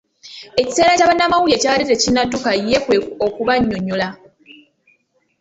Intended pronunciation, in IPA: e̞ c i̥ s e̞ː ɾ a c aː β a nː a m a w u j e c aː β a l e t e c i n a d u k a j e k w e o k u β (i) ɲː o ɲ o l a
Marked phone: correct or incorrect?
incorrect